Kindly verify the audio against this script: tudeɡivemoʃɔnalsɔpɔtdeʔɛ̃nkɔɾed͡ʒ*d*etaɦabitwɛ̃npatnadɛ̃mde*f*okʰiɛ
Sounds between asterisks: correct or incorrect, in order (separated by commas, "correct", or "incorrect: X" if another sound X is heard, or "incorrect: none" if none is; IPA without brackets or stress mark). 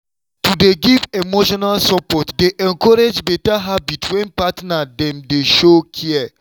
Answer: incorrect: b, incorrect: ʃ